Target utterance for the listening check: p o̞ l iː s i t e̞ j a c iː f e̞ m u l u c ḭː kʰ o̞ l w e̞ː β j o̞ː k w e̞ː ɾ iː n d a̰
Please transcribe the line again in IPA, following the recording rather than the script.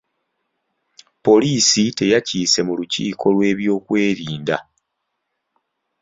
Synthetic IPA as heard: p o̞ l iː s i t e̞ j a c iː s e̞ m u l u c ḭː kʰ o̞ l w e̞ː β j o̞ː k w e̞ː ɾ iː n d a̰